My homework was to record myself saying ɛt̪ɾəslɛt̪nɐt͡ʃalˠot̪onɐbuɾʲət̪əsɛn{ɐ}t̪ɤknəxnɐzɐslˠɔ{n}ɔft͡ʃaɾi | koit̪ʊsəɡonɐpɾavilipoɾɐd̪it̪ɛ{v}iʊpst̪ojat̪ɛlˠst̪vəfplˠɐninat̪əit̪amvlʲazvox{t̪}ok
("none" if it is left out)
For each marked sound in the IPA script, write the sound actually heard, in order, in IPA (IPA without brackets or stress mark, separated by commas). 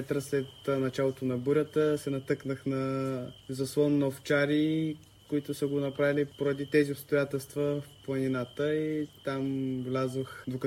ɐ, nː, z, d̪